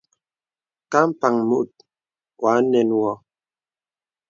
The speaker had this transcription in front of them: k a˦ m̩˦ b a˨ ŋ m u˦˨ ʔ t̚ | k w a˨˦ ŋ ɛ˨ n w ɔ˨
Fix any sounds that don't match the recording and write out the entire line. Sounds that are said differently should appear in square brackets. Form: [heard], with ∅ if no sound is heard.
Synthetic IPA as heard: k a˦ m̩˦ [p] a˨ ŋ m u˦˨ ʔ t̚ | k w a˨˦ [n] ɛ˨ n w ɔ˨

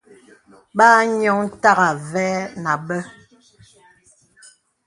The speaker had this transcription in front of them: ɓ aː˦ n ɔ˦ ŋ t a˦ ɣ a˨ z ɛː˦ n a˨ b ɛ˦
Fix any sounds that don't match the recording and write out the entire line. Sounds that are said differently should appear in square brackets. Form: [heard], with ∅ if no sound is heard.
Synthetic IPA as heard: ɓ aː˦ [ɲ] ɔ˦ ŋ t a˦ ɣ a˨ [v] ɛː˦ n a˨ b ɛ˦

